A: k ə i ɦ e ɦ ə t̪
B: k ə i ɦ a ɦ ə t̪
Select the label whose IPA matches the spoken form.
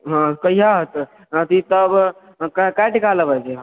B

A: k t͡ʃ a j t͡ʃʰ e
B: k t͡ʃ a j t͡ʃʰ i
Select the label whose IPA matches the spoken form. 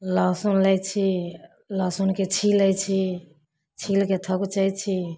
B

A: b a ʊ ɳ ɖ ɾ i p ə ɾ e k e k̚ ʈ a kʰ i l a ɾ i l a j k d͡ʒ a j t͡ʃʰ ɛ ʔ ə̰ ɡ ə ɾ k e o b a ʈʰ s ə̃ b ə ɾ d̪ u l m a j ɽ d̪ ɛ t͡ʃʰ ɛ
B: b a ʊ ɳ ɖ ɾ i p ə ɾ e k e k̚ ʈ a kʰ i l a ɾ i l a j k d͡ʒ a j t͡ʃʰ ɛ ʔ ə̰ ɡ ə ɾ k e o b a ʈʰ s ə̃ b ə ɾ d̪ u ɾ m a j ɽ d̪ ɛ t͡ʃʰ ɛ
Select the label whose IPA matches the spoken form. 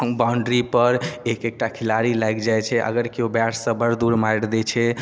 B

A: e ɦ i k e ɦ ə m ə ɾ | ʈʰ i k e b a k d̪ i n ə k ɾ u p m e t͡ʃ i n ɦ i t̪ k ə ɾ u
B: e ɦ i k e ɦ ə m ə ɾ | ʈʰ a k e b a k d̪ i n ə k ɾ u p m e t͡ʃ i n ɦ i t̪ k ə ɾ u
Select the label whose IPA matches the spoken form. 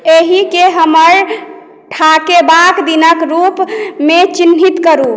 B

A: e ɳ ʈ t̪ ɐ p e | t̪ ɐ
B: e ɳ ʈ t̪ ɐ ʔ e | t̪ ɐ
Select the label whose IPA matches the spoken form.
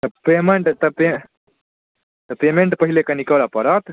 A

